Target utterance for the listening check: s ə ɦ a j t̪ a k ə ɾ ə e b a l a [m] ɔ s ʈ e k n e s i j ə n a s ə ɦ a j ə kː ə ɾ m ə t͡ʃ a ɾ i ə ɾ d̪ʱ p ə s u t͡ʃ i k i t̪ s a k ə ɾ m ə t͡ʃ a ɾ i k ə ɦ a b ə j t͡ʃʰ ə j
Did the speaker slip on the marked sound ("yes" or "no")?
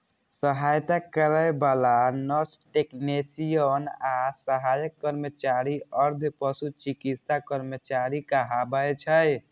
yes